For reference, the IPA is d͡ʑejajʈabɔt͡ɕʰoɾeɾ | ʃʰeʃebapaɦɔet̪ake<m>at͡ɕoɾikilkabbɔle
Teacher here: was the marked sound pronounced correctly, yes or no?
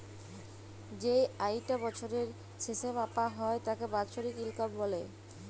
no